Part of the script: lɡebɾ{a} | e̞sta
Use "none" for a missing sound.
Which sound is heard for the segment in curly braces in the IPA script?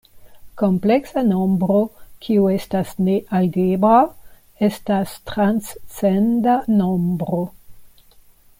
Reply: a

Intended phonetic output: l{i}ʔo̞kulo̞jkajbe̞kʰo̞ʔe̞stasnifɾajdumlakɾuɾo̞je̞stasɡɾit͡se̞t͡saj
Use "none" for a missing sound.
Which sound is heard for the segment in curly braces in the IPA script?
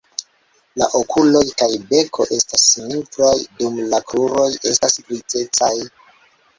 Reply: a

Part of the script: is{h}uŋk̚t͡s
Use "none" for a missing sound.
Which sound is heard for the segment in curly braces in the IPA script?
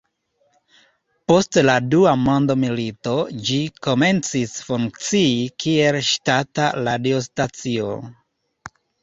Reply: f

